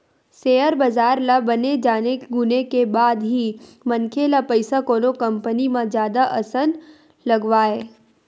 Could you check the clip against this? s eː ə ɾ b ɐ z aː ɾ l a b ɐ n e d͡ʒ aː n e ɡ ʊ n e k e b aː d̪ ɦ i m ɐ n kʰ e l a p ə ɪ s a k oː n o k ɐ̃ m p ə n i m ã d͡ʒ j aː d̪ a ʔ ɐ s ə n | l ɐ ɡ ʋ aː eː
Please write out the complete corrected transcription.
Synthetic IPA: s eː ə ɾ b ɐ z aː ɾ l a b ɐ n e d͡ʒ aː n e ɡ ʊ n e k e b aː d̪ ɦ i m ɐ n kʰ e l a p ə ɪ s a k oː n o k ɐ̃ m p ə n i m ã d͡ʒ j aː d̪ a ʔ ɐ s ə n | l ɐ ɡ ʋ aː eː